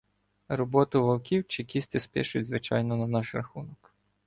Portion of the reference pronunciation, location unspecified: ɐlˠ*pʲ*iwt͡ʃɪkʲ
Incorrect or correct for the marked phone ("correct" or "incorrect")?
incorrect